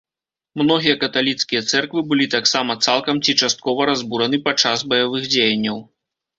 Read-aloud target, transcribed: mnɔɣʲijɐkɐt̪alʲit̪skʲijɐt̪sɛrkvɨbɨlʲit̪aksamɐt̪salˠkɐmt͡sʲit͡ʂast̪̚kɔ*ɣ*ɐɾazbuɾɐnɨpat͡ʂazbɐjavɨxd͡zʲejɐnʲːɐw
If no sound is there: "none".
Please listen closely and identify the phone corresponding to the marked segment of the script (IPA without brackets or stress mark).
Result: v